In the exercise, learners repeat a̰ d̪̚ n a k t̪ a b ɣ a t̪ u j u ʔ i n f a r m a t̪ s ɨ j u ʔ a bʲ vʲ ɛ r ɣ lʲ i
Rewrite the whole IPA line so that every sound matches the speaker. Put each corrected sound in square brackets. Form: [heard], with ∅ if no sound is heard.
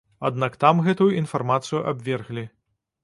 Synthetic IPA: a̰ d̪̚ n a k t̪ a [m] ɣ [ɛ] t̪ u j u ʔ i n f a r m a t̪ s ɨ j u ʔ a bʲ vʲ ɛ r ɣ lʲ i